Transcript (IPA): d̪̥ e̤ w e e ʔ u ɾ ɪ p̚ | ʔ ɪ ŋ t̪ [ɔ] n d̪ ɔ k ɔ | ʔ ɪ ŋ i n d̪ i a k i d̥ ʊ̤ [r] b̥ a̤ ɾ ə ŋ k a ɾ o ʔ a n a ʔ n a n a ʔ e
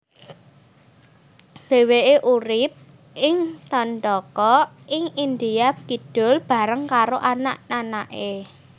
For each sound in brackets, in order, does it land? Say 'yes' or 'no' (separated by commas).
yes, no